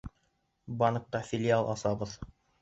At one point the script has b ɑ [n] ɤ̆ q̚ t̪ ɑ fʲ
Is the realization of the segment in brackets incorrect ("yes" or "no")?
no